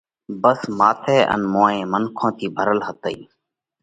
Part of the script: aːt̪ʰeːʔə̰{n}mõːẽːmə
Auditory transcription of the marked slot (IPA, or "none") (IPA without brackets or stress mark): n